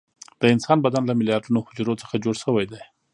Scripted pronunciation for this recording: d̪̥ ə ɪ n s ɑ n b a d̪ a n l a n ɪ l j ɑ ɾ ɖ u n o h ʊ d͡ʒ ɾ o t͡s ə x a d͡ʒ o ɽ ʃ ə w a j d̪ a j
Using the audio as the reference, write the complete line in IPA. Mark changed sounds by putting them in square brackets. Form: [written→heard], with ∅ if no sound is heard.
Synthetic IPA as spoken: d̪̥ ə ɪ n s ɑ n b a d̪ a n l a [n→m] ɪ l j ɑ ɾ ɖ u n o h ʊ d͡ʒ ɾ o t͡s ə x a d͡ʒ o ɽ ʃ ə w a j d̪ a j